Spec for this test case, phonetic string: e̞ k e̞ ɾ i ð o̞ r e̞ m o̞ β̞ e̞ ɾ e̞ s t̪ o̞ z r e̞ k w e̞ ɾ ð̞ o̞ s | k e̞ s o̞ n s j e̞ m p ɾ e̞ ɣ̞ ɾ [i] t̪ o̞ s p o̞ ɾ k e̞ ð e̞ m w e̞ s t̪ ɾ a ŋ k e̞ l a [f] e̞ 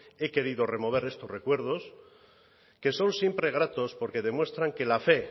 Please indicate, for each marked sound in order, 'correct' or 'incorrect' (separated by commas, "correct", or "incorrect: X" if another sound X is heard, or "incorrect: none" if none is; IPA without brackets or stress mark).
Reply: incorrect: a, correct